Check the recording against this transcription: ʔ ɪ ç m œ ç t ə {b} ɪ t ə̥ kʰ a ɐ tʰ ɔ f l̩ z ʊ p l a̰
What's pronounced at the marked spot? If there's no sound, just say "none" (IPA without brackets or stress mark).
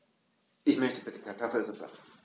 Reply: b